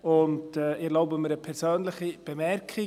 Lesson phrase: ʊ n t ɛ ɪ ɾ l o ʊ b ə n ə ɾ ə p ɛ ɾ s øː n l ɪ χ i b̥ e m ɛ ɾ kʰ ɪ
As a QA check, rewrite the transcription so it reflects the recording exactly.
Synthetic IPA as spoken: ʊ n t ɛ ɪ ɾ l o ʊ b ə m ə ɾ ə pʰ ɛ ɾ s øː n l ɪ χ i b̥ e m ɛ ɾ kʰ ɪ